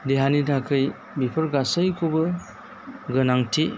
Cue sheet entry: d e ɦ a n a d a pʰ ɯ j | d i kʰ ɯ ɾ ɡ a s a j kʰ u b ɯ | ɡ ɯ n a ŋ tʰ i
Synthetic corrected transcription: d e ɦ a n i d a kʰ ɯ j | b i pʰ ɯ ɾ ɡ a s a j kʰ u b ɯ | ɡ ɯ n a ŋ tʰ i